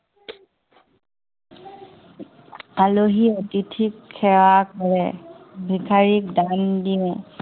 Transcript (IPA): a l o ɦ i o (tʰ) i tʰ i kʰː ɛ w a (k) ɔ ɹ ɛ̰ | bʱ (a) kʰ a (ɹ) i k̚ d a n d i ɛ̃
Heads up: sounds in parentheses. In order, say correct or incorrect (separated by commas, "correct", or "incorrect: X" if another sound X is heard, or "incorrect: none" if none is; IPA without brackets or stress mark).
incorrect: t, correct, incorrect: i, correct